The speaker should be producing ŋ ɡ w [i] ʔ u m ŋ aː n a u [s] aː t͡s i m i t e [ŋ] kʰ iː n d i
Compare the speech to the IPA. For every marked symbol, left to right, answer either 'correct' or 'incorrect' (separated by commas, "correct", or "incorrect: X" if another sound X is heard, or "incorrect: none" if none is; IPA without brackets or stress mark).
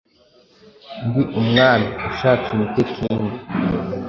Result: correct, incorrect: ʃ, incorrect: none